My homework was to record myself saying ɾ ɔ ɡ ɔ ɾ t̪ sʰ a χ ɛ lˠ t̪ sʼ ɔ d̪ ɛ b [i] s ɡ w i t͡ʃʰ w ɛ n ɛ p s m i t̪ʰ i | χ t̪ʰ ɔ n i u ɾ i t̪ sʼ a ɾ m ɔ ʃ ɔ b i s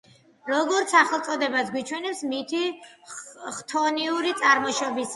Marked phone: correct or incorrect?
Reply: incorrect